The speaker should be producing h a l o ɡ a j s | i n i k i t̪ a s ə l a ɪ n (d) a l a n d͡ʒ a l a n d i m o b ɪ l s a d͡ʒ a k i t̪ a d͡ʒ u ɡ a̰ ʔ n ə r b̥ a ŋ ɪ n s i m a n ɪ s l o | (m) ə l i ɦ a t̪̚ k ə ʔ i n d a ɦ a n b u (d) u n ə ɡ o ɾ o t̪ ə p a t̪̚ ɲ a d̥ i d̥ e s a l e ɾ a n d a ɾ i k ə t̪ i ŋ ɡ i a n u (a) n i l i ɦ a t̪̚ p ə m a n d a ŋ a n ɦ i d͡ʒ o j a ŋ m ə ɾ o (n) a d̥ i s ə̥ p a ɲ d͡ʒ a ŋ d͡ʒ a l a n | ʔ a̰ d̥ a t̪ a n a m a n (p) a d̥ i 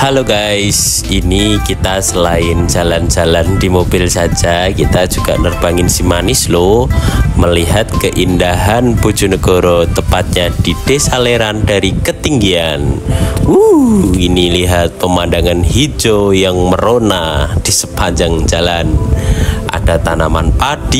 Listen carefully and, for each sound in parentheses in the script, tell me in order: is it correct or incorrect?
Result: incorrect, correct, incorrect, incorrect, correct, correct

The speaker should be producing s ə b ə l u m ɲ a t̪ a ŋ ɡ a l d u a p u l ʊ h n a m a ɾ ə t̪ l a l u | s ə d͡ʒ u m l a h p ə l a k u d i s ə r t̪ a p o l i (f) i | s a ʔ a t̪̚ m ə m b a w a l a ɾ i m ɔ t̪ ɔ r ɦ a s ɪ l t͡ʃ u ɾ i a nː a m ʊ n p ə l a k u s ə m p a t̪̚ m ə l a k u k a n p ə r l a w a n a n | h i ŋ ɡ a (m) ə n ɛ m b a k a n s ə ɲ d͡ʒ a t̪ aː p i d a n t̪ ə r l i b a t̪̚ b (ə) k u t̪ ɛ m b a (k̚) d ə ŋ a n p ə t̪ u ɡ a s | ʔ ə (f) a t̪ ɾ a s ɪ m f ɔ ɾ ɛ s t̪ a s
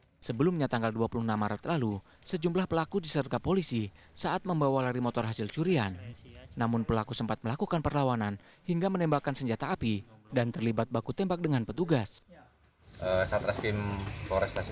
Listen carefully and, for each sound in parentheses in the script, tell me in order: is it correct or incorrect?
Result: incorrect, correct, incorrect, correct, incorrect

